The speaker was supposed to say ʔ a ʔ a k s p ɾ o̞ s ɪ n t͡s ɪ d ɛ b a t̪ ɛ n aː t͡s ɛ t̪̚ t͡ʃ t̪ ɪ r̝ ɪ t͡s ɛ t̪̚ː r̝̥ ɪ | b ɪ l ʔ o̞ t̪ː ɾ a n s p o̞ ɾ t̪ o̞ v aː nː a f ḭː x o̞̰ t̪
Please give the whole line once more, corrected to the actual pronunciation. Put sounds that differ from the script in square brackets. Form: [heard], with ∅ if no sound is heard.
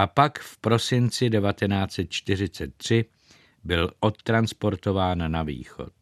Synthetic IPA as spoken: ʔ a [p] a k [f] p ɾ o̞ s ɪ n t͡s ɪ d ɛ [v] a t̪ ɛ n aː t͡s ɛ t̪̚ t͡ʃ t̪ ɪ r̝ ɪ t͡s ɛ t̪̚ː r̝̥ ɪ | b ɪ l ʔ o̞ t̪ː ɾ a n s p o̞ ɾ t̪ o̞ v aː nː a [v] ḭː x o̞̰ t̪